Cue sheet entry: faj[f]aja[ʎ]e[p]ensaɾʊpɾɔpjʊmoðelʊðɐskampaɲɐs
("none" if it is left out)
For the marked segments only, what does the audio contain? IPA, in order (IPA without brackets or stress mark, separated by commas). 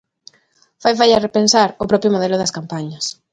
f, r, p